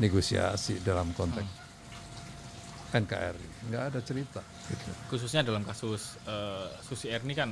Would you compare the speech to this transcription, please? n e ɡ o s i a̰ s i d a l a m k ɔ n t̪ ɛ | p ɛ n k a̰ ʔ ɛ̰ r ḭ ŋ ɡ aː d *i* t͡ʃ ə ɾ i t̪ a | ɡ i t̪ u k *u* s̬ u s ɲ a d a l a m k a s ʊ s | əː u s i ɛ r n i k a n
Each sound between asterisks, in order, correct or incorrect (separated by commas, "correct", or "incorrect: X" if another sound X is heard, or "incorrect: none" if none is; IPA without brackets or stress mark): incorrect: a, correct